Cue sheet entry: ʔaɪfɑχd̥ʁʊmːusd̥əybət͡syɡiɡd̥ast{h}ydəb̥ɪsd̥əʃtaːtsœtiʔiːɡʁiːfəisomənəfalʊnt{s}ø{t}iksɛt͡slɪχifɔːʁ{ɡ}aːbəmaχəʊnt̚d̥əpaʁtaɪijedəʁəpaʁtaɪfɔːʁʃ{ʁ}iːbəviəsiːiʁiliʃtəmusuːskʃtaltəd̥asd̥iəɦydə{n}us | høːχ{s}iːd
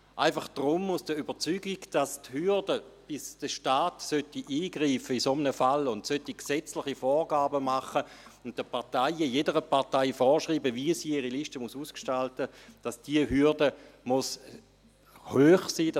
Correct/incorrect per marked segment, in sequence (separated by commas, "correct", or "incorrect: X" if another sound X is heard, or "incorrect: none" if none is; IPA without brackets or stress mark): correct, correct, correct, correct, correct, incorrect: m, correct